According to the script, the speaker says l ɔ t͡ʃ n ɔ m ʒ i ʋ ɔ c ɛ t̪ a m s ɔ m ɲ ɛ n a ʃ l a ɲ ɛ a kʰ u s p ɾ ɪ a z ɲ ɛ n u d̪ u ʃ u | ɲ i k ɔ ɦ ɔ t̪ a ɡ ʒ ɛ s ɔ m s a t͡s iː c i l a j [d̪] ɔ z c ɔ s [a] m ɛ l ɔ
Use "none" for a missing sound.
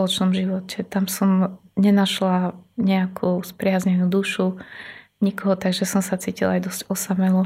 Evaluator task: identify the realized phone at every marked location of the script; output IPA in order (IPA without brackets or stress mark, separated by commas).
d̪, a